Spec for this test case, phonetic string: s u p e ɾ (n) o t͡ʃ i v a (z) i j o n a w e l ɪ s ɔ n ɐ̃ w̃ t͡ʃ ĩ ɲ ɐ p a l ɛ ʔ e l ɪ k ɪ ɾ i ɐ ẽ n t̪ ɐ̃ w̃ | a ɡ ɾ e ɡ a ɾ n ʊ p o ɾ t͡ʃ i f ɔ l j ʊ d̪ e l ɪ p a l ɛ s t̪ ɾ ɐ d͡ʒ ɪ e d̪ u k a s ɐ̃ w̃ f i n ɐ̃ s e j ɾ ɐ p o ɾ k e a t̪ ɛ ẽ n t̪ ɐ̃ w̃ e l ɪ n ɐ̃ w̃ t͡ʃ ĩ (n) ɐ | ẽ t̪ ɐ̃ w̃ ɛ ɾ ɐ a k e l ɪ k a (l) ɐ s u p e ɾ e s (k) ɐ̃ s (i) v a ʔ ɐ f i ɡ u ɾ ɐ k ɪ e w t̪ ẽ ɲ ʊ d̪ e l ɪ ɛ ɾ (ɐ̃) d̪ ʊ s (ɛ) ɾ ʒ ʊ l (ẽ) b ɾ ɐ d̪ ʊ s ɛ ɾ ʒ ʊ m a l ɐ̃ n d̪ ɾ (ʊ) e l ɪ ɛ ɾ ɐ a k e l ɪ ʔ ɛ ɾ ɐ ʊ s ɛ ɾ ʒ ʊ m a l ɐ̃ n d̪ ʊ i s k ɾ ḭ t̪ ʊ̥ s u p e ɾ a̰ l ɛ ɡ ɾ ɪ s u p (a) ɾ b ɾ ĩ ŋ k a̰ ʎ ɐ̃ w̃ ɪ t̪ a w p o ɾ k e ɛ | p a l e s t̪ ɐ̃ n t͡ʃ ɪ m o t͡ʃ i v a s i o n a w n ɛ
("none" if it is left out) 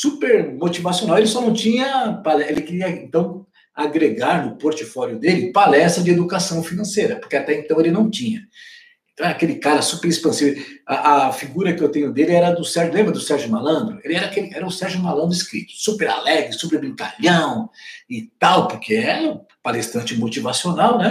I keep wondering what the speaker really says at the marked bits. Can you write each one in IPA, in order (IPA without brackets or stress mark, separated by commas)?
m, s, ɲ, ɾ, p, i, ɐ, ɛ, ẽ, ʊ, e